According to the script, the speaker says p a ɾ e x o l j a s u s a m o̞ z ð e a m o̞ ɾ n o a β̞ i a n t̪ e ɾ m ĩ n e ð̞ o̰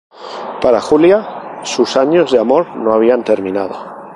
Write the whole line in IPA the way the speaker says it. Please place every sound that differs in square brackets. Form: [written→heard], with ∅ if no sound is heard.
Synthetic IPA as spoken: p a ɾ [e→a] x [o→u] l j a s u s a [m→ɲ] o̞ z ð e a m o̞ ɾ n o a β̞ i a n t̪ e ɾ m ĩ n [e→a] ð̞ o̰